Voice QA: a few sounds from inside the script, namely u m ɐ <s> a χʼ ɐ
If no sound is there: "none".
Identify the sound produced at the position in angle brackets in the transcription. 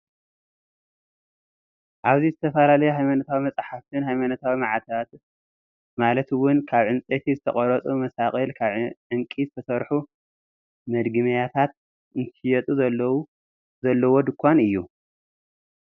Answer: s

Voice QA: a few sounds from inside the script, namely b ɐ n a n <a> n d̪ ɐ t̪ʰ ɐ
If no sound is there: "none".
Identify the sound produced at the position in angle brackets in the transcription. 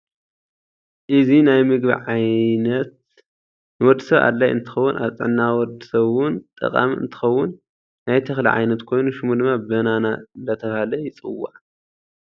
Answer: a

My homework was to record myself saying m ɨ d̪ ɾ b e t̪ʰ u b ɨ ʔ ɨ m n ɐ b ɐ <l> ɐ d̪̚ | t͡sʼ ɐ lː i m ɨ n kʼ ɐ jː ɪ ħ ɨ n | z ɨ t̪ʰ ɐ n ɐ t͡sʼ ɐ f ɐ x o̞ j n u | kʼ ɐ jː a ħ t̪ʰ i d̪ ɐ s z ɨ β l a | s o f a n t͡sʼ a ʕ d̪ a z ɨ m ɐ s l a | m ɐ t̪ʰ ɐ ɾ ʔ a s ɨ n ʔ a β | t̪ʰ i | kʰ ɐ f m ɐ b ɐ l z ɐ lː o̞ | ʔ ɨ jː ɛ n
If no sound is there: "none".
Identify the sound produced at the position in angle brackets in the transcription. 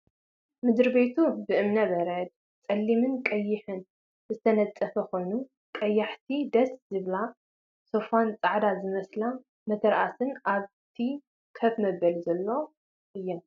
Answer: ɾ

